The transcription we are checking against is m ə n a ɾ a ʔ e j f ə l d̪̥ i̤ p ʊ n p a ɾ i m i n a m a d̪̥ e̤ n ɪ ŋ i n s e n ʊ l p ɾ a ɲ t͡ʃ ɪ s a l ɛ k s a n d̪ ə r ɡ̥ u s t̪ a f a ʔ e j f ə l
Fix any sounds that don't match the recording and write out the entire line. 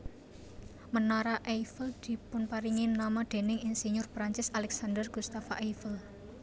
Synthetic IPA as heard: m ə n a ɾ a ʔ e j f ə l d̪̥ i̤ p ʊ n p a ɾ i ŋ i n a m a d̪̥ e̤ n ɪ ŋ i n s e ɲ ʊ r p ɾ a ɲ t͡ʃ ɪ s a l ɛ k s a n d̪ ə r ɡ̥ u s t̪ a f a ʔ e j f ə l